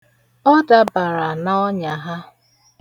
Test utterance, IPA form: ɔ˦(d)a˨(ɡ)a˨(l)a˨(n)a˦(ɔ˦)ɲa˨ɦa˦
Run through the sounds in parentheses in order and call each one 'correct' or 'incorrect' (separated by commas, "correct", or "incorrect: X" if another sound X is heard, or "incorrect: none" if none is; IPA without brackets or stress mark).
correct, incorrect: b, incorrect: ɾ, correct, correct